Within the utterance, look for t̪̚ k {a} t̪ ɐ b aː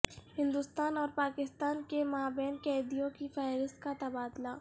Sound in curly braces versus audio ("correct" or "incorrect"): correct